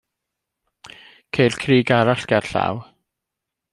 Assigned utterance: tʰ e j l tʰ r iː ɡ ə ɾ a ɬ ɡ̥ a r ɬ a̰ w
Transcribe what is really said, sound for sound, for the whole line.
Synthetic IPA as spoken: kʰ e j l kʰ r iː ɡ a ɾ a ɬ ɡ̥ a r ɬ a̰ w